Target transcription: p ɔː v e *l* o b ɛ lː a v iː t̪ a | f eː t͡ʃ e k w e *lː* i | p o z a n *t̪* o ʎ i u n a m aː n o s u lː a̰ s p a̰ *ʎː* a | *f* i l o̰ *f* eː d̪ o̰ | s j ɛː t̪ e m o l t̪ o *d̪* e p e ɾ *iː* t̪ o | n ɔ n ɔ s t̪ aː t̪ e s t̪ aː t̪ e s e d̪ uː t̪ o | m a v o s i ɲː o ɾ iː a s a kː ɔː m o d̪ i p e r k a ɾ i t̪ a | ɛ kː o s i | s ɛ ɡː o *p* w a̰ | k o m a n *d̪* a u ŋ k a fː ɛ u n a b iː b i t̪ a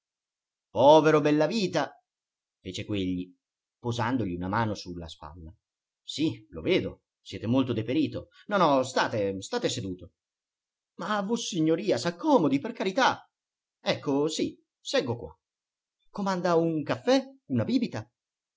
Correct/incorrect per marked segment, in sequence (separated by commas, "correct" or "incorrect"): incorrect, incorrect, incorrect, incorrect, incorrect, incorrect, correct, correct, incorrect, correct